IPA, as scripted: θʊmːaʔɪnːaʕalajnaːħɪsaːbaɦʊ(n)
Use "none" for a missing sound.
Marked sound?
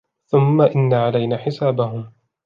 m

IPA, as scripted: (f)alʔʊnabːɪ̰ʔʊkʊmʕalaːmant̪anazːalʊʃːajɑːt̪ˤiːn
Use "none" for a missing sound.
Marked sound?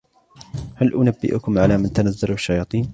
h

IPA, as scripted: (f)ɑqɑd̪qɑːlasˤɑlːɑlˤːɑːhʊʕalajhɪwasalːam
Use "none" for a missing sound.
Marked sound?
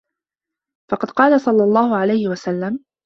f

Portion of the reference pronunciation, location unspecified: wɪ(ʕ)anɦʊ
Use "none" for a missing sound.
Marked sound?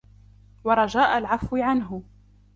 ʕ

